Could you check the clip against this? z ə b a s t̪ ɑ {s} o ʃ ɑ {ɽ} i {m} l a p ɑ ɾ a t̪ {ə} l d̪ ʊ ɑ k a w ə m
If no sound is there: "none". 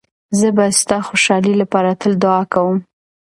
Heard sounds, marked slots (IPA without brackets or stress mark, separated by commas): x, l, none, ə